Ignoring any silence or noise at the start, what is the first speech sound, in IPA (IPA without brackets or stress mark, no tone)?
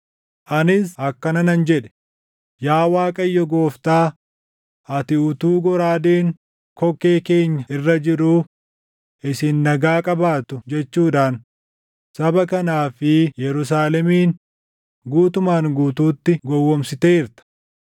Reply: ʔ